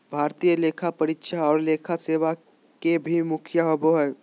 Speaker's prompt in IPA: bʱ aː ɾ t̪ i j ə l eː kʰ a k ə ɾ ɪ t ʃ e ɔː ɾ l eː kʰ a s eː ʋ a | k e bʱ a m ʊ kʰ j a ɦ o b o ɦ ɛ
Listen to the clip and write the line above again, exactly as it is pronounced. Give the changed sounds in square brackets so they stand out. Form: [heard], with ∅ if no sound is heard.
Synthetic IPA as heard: bʱ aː ɾ t̪ i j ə l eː kʰ a [p] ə ɾ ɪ t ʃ [a] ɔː ɾ l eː kʰ a s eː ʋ a | k e bʱ [i] m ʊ kʰ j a ɦ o b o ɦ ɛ